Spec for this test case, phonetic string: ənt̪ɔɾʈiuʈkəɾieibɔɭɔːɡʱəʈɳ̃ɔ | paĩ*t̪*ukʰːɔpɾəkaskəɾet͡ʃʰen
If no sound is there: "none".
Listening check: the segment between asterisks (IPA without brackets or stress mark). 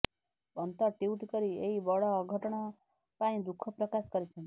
d̪